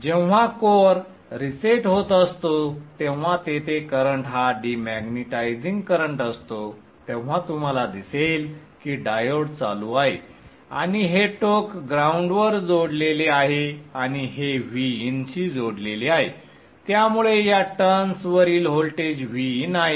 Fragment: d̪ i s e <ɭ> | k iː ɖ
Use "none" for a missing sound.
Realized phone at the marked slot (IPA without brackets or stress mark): l